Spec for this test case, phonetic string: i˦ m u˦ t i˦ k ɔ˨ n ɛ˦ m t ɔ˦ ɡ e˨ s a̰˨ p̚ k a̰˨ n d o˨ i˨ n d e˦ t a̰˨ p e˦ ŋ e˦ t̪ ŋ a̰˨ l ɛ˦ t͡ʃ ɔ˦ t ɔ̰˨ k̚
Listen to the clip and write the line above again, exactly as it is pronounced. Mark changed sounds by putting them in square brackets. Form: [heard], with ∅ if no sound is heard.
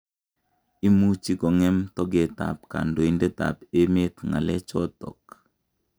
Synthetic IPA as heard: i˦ m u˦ [t͡ʃ] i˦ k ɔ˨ [ŋ] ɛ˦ m t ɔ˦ ɡ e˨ [t] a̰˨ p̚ k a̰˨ n d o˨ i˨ n d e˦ t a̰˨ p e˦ [m] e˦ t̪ ŋ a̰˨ l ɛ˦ t͡ʃ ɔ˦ t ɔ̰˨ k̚